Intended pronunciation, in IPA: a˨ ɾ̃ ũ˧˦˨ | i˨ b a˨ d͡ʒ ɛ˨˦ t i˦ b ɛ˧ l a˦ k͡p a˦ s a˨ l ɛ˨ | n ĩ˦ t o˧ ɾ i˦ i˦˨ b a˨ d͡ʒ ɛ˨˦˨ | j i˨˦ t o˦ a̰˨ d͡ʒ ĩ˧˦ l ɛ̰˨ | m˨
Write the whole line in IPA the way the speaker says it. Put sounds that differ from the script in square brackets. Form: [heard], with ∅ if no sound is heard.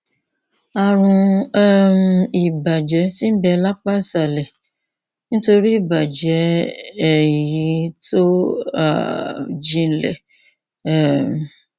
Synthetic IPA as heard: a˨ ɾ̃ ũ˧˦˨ | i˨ b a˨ d͡ʒ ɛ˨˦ t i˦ b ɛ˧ l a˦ k͡p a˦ s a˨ l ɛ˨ | n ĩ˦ t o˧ ɾ i˦ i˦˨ b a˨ d͡ʒ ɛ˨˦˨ | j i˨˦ t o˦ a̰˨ d͡ʒ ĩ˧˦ l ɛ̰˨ | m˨